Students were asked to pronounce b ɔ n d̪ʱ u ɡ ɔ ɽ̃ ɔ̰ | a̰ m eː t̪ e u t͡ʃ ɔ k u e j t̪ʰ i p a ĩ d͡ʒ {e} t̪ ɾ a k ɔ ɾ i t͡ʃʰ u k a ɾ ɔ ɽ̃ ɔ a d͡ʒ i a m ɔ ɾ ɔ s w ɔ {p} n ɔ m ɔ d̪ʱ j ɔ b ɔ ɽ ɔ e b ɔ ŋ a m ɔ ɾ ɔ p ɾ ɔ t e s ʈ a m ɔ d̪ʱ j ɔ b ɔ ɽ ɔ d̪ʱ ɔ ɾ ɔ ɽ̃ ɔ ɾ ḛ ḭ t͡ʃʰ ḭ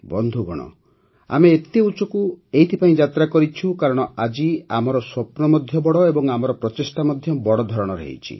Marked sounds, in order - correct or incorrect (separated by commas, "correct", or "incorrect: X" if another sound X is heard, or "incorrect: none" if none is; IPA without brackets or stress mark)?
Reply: incorrect: a, correct